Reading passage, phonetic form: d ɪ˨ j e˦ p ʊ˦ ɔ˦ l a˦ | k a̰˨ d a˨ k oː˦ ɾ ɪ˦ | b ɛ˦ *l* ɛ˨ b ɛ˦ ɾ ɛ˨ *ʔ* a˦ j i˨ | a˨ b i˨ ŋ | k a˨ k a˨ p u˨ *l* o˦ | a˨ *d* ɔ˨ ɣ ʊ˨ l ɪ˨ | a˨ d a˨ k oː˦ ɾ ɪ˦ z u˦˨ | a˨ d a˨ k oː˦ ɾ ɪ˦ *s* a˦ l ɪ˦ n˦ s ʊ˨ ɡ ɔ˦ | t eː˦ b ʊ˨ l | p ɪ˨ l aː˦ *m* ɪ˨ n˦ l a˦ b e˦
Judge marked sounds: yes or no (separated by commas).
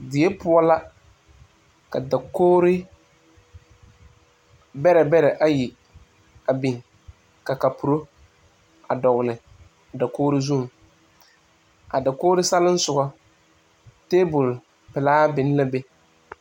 no, yes, no, yes, yes, no